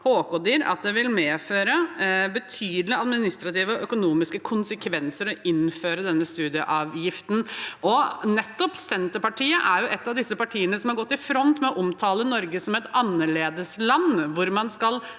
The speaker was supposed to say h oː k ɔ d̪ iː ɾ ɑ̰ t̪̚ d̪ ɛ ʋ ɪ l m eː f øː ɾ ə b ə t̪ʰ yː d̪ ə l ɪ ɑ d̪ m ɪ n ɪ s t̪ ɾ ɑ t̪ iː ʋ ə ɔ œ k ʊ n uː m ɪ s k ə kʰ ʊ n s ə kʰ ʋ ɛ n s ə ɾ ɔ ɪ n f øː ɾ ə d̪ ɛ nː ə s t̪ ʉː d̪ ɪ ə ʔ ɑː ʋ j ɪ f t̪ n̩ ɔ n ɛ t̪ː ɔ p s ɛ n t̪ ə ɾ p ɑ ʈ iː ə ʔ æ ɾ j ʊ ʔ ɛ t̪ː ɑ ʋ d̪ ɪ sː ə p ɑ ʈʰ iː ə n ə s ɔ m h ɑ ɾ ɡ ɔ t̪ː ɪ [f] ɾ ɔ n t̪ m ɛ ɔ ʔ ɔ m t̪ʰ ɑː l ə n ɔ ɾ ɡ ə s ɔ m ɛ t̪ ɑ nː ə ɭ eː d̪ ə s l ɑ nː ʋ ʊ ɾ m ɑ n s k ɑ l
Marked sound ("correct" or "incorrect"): correct